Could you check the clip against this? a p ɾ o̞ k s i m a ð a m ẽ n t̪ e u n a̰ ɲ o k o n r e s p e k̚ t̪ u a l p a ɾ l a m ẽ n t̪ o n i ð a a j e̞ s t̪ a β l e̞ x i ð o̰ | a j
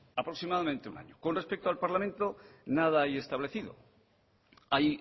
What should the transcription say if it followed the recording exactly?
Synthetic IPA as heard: a p ɾ o̞ k s i m a ð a m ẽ n t̪ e u n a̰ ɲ o k o n r e s p e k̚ t̪ o a l p a ɾ l a m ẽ n t̪ o n a ð a a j e̞ s t̪ a β l e̞ θ i ð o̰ | a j